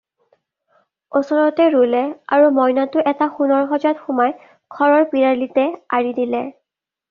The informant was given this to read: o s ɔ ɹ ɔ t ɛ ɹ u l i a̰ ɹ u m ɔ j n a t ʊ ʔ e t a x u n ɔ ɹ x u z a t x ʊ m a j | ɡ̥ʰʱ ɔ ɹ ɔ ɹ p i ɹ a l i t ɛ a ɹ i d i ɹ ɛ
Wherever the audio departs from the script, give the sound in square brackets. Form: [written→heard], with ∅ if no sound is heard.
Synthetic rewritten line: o s ɔ ɹ ɔ t ɛ ɹ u l [i→ɛ] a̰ ɹ u m ɔ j n a t ʊ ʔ [e→ɛ] t a x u n ɔ ɹ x [u→ɔ] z a t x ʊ m a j | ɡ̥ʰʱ ɔ ɹ ɔ ɹ p i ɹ a l i t ɛ a ɹ i d i [ɹ→l] ɛ